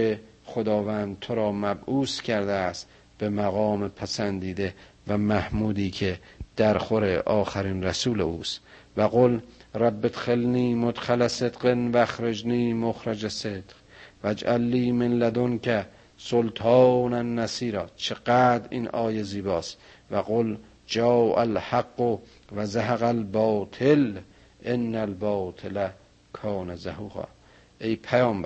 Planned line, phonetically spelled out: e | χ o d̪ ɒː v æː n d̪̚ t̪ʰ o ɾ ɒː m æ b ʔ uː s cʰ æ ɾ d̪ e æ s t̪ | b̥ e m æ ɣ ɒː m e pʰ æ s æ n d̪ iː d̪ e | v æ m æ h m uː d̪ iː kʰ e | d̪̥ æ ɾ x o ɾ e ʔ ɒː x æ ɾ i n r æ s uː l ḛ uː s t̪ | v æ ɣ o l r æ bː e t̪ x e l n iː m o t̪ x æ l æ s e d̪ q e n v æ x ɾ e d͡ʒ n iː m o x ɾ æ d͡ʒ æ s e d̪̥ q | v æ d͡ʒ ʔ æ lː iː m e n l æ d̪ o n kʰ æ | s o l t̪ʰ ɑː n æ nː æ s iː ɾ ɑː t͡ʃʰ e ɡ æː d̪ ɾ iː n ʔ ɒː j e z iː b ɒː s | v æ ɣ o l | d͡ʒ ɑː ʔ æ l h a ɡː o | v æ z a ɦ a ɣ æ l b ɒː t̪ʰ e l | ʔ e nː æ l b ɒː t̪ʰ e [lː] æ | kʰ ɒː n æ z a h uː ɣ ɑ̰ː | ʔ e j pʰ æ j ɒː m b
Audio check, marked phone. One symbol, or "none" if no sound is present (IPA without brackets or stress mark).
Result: l